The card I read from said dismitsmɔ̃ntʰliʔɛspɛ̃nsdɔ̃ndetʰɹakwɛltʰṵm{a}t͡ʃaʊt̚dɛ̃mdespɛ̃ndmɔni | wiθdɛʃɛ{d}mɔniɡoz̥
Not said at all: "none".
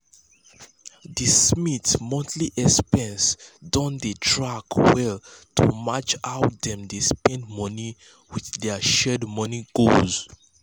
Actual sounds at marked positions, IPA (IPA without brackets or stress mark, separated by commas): a, d